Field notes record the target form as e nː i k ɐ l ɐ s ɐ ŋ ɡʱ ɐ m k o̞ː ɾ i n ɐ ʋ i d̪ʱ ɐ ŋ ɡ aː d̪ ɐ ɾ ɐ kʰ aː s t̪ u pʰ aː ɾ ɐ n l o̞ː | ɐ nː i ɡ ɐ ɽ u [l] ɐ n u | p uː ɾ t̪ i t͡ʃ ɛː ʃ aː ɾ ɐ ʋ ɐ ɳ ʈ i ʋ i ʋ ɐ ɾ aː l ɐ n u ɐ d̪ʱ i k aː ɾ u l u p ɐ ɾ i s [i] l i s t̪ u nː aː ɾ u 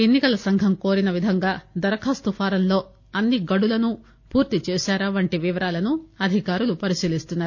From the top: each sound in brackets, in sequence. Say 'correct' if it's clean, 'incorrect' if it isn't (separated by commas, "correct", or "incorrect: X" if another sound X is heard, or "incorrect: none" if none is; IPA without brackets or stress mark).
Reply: correct, incorrect: iː